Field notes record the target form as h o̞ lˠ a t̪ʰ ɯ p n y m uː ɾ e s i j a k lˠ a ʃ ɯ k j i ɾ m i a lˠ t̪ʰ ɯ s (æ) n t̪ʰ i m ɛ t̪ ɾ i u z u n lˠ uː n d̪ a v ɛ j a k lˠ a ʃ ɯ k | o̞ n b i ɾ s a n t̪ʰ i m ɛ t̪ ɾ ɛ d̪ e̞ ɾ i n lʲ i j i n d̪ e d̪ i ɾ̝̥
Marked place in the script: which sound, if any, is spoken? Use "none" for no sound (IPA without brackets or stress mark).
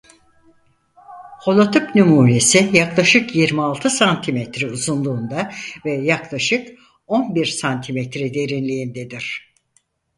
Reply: a